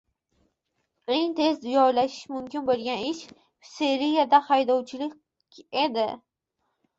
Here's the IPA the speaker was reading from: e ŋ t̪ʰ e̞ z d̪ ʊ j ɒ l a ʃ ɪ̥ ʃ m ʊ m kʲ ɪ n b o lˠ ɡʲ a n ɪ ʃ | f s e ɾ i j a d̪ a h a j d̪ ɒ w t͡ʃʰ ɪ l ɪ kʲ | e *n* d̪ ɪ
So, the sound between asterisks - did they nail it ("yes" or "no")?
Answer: no